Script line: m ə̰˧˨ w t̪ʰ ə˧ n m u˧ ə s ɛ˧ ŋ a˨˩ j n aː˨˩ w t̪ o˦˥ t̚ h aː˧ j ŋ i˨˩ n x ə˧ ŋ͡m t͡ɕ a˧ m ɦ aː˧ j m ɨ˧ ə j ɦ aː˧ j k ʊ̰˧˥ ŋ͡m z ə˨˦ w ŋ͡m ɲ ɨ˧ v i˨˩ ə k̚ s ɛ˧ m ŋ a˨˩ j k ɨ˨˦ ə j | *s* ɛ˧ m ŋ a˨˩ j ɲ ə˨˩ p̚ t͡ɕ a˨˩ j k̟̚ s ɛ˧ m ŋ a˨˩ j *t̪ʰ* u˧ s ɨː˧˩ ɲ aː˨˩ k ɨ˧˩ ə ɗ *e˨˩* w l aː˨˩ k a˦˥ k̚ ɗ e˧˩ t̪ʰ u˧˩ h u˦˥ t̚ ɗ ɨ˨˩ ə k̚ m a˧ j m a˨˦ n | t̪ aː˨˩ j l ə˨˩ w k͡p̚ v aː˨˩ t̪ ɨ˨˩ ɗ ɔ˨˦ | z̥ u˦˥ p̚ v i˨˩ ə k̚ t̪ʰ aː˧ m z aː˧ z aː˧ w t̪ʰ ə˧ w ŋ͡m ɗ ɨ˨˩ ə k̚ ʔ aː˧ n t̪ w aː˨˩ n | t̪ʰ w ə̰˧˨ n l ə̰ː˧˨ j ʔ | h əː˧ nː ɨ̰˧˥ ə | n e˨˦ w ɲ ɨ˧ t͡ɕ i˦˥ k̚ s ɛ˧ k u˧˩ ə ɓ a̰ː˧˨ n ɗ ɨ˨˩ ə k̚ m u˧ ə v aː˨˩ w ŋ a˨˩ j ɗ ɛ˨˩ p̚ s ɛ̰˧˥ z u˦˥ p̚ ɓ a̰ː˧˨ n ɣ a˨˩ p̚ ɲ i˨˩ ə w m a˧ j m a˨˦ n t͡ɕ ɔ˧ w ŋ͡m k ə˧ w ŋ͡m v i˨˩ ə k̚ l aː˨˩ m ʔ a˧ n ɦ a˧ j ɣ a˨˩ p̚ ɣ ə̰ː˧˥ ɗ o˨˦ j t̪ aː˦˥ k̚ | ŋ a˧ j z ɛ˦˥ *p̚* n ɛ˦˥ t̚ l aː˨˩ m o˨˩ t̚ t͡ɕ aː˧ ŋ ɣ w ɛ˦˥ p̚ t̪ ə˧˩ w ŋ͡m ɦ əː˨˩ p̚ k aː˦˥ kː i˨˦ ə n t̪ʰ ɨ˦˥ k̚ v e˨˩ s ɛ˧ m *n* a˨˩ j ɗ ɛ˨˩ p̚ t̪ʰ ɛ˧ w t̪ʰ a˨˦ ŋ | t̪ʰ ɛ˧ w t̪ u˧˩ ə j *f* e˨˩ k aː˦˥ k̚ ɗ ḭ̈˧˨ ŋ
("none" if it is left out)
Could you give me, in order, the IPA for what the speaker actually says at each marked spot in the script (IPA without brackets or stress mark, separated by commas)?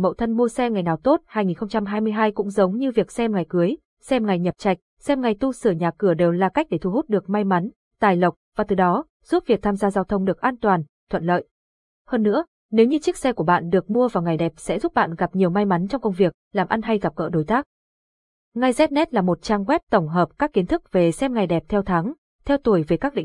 s, t̪, e˨˩, t̚, ŋ, v